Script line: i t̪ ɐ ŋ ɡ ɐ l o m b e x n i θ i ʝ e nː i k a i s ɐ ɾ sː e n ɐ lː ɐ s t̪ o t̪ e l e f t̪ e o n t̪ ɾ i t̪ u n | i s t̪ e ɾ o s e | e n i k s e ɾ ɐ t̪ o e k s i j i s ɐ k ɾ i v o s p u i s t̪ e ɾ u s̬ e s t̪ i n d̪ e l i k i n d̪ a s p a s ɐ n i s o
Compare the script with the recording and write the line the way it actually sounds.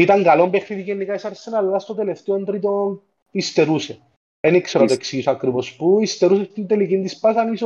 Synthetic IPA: i t̪ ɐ ŋ ɡ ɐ l o m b e x n i ð i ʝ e nː i k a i s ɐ ɾ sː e n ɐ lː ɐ s t̪ o t̪ e l e f t̪ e o n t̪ ɾ i t̪ o n | i s t̪ e ɾ u s e | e n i k s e ɾ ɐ t̪ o e k s i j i s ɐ k ɾ i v o s p u i s t̪ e ɾ u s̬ e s t̪ i n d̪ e l i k i n d̪ i s p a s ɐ n i s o